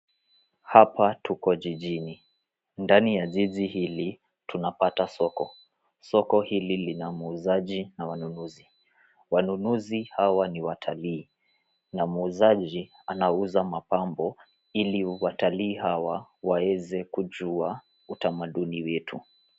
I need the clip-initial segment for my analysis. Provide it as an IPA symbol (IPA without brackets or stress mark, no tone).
h